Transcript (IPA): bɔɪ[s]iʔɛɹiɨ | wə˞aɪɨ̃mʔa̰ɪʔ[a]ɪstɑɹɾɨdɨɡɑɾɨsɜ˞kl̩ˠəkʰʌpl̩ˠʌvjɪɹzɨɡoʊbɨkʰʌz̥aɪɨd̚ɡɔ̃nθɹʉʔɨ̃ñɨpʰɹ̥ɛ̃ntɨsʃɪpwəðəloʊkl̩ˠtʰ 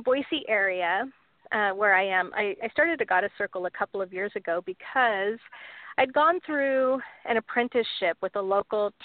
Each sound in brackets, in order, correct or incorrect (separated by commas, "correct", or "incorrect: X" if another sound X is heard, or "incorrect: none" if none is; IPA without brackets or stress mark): correct, correct